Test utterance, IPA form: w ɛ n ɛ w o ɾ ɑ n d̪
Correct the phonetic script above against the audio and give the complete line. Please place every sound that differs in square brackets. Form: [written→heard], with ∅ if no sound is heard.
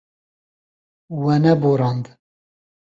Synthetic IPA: w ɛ n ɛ [w→b] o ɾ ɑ n d̪